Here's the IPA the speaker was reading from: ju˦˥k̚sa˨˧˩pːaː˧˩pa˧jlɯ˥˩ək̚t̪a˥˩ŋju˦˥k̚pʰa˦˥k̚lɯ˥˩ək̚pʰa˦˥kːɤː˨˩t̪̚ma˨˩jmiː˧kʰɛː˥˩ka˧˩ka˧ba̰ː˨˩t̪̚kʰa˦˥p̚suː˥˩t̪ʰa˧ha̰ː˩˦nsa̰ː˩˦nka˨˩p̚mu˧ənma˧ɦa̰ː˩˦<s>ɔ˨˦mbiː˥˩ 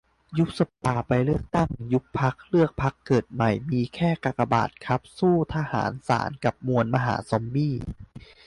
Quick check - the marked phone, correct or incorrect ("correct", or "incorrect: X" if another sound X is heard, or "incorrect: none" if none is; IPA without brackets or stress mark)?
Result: correct